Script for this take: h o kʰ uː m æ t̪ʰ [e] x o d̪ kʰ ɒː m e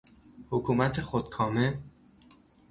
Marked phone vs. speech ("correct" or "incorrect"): correct